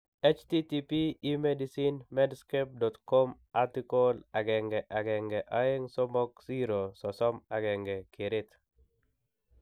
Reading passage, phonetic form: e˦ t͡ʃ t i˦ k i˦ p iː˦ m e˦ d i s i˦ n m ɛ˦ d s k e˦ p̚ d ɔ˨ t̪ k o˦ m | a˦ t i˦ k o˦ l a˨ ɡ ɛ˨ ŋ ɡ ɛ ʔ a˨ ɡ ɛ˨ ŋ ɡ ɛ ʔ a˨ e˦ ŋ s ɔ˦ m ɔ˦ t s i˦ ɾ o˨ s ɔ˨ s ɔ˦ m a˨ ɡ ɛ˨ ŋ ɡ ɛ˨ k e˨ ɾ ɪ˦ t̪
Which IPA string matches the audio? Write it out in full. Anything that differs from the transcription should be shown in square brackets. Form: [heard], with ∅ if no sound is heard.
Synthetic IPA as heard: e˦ t͡ʃ t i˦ [t] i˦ p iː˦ m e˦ d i s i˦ n m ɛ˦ d s k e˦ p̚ d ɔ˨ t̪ k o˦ m | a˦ t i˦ k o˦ l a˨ ɡ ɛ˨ ŋ ɡ ɛ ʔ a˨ ɡ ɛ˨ ŋ ɡ ɛ ʔ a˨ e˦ ŋ s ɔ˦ m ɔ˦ [k] s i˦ ɾ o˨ s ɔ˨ s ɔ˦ m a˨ ɡ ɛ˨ ŋ ɡ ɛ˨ k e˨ ɾ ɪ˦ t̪